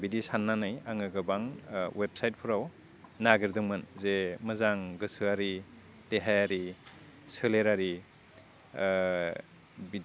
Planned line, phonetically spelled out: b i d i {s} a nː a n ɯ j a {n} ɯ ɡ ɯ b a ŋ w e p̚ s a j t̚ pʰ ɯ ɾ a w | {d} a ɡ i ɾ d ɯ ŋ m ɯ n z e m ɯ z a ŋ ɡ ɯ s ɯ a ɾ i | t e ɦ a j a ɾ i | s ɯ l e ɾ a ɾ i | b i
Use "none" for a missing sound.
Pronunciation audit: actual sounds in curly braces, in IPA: s, ŋ, n

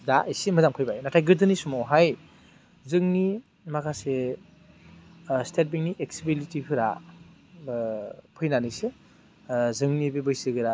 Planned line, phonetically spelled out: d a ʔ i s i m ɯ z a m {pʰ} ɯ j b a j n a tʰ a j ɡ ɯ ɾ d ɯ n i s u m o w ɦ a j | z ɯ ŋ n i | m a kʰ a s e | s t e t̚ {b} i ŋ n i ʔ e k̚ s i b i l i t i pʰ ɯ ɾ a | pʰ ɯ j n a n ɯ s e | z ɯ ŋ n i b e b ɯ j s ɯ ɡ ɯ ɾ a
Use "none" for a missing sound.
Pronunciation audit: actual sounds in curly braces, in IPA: kʰ, b

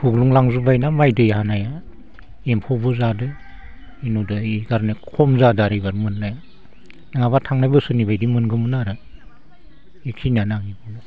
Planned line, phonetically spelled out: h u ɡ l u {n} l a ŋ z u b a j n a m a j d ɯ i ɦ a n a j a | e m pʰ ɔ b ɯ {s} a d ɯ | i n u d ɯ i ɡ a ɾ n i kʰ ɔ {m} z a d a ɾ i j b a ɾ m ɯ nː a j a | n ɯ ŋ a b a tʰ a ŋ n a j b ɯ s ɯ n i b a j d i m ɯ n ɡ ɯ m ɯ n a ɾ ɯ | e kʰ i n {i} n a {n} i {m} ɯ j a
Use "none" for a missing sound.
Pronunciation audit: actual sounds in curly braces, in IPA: ŋ, z, m, a, ŋ, b

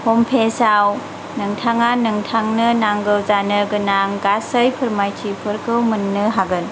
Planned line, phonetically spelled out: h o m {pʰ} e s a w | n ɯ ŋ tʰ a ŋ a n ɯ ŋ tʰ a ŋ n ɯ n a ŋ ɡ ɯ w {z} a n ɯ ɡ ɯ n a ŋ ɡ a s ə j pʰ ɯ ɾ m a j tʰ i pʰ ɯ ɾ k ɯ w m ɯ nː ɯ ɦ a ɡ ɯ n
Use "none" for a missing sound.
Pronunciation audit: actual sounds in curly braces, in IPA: pʰ, z

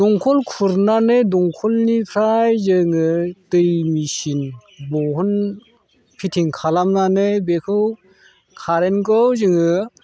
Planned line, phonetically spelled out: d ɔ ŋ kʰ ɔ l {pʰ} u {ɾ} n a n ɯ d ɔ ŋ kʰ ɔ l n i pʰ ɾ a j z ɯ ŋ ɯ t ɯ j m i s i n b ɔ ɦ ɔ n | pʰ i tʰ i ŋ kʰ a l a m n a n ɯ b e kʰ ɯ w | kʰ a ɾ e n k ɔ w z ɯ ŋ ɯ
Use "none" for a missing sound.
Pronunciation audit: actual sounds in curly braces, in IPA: kʰ, ɾ

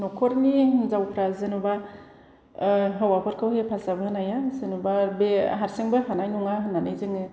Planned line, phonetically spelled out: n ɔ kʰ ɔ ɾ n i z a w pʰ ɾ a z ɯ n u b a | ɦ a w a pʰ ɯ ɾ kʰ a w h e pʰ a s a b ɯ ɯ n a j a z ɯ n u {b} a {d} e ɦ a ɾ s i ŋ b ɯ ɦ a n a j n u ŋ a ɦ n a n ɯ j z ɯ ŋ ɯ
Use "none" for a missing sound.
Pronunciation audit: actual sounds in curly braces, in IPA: b, b

